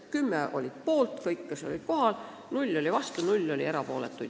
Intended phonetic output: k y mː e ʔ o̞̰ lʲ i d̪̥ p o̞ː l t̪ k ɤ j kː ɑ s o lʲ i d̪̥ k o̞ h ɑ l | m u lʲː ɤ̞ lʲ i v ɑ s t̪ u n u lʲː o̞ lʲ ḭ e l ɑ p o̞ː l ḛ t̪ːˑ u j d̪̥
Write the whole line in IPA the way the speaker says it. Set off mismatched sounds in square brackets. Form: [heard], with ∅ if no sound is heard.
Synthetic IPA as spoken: k y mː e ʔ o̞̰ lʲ i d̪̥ p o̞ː l t̪ k ɤ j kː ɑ s o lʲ i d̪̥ k o̞ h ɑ l | [n] u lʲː [o̞] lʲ i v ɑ s t̪ u n u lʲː o̞ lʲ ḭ e [ɾ] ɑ p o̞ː l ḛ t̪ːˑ u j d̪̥